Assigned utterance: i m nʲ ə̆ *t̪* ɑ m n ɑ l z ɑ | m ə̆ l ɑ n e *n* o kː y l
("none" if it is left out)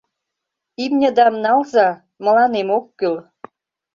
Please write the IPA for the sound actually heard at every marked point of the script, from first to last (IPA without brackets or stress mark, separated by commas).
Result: d̪, m